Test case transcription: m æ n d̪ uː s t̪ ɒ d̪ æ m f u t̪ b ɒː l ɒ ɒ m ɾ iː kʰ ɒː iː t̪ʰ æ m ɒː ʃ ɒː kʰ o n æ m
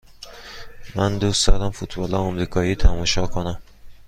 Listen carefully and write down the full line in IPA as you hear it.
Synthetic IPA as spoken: m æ n d̪ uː s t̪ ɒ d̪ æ m f u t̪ b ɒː l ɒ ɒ m ɾ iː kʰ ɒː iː t̪ʰ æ m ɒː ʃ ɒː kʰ o n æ m